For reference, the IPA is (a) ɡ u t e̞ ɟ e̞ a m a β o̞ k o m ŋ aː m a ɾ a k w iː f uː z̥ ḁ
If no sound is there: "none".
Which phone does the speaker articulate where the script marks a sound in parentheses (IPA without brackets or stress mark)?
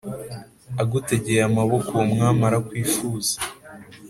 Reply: a